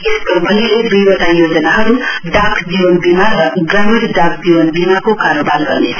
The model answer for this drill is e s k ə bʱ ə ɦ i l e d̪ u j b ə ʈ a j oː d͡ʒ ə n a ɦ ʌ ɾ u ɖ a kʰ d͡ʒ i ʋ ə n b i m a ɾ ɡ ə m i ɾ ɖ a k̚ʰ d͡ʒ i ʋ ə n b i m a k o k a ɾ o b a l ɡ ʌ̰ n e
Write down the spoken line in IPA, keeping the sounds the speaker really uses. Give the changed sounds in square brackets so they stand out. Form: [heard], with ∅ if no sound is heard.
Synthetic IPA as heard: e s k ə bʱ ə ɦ i l e d̪ u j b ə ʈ a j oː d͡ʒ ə n a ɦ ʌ ɾ u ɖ a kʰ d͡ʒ i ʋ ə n b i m a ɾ ɡ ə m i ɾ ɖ a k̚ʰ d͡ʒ i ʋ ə n b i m a k o k a ɾ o b a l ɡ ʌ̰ n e